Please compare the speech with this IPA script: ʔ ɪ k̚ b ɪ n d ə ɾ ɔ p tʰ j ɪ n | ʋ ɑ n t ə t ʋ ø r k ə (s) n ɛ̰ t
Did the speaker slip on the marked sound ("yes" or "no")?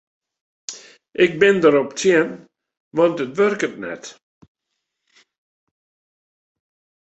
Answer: yes